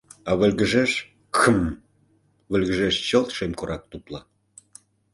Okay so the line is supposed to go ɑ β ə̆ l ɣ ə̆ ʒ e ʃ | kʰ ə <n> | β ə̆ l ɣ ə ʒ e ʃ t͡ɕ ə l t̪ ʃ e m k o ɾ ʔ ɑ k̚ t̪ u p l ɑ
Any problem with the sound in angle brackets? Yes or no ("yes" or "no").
yes